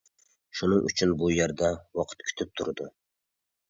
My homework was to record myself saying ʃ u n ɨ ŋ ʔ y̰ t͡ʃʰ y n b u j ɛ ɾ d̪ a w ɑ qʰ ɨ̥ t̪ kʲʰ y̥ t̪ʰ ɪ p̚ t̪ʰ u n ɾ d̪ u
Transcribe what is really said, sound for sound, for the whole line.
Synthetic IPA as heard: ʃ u n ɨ ŋ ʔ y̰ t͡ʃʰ y n b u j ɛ ɾ d̪ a w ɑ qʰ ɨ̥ t̪ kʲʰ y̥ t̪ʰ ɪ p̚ t̪ʰ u ɾ d̪ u